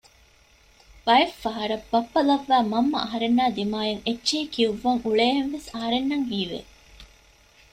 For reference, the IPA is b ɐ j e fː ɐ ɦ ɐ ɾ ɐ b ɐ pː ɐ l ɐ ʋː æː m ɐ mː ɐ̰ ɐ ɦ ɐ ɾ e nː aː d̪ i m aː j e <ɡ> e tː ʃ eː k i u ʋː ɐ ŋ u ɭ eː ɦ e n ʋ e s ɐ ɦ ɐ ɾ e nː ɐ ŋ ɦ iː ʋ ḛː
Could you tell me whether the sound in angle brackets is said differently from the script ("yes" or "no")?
yes